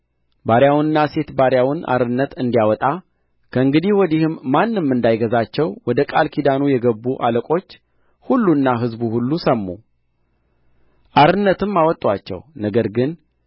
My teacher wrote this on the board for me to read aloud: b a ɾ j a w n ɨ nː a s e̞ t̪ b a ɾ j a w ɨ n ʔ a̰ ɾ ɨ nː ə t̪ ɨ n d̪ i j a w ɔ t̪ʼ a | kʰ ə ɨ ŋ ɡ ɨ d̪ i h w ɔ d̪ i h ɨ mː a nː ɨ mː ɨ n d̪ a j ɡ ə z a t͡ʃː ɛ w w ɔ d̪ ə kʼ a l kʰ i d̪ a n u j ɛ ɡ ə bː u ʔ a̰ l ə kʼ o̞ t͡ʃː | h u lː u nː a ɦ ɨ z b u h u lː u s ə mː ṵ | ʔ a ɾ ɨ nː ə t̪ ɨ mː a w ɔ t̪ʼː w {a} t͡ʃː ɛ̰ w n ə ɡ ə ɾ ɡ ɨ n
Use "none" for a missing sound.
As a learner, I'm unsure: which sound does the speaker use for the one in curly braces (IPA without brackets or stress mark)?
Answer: a